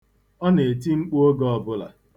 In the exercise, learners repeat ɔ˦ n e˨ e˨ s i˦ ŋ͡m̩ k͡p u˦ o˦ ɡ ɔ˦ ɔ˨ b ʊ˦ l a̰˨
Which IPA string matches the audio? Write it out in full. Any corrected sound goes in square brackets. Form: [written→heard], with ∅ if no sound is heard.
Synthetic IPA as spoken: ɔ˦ n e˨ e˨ [s→t] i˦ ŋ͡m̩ k͡p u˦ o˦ ɡ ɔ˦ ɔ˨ b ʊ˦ l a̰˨

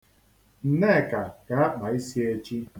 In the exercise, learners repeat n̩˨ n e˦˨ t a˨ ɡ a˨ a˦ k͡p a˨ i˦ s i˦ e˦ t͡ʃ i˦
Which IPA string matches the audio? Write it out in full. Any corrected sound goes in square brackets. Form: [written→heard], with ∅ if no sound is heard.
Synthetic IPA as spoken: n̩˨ n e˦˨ [t→k] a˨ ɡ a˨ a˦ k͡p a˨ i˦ s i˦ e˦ t͡ʃ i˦

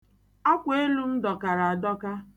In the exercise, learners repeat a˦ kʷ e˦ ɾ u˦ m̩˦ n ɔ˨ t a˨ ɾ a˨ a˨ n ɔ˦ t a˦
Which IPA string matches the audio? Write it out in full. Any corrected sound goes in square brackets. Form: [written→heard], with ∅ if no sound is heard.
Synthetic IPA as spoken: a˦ kʷ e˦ [ɾ→l] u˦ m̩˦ [n→d] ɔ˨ [t→k] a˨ ɾ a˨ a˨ [n→d] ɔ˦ [t→k] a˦

